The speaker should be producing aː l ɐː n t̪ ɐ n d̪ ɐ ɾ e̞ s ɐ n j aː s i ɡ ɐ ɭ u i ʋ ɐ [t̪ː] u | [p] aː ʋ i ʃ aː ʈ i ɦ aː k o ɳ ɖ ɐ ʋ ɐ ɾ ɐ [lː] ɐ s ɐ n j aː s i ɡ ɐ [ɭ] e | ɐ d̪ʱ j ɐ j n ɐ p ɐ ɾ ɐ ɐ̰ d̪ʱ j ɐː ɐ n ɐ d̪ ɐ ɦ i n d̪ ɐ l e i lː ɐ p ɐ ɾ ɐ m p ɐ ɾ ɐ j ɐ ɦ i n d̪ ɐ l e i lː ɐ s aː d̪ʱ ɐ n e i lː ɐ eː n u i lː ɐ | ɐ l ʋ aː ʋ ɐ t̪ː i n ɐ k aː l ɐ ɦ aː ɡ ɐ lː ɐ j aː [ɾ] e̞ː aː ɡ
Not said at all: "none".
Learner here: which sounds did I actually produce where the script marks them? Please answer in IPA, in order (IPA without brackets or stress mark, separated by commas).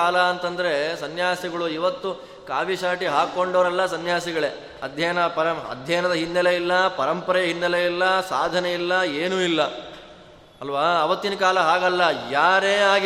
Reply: t̪ː, k, lː, ɭ, ɾ